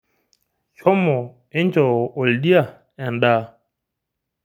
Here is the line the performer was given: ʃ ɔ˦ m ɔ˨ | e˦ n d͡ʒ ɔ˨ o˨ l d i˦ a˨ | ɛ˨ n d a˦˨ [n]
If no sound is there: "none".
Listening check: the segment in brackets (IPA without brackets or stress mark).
none